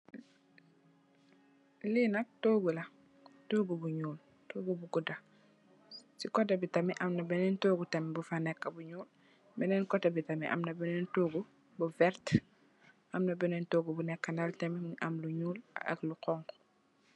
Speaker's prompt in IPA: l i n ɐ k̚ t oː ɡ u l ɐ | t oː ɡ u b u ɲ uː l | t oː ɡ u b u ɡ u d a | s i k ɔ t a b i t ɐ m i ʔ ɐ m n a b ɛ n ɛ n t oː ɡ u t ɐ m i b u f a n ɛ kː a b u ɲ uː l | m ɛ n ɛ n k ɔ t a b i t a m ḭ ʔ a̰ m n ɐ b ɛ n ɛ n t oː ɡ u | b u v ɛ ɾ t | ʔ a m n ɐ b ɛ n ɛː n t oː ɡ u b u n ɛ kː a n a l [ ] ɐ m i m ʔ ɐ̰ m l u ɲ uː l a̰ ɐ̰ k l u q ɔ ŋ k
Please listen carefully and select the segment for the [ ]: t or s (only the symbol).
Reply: t